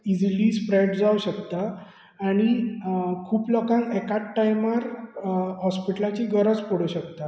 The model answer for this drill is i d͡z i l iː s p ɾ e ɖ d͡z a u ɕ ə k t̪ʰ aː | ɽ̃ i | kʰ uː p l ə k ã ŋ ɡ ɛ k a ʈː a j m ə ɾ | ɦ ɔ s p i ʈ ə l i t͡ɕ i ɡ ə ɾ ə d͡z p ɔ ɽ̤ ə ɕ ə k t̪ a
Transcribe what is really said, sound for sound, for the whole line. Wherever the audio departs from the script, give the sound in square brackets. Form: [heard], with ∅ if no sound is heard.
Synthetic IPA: i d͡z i l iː s p ɾ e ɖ d͡z a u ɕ ə k [t̪] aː | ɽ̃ i | kʰ uː p l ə k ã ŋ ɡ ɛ k a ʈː a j m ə ɾ | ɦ ɔ s p i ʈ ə l [a] t͡ɕ i ɡ ə ɾ ə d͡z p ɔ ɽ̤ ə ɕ ə k t̪ a